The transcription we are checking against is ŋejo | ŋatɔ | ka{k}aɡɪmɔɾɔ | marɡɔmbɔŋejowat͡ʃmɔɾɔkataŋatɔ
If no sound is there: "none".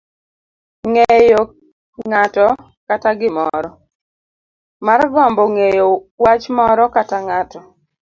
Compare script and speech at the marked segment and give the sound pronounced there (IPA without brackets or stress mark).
t